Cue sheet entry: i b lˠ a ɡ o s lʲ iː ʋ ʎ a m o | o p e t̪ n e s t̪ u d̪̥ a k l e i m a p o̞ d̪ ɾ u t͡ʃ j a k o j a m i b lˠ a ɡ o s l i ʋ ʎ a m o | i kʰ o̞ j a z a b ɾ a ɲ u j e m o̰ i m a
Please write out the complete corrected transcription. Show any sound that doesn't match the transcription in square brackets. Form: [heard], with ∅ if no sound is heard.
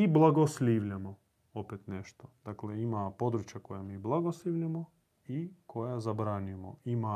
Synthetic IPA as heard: i b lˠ a ɡ o s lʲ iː ʋ ʎ a m o | o p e t̪ n e [ʃ] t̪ [o] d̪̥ a k l e i m a p o̞ d̪ ɾ u t͡ʃ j a k o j a m i b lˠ a ɡ o s l i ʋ ʎ a m o | i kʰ o̞ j a z a b ɾ a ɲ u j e m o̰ i m a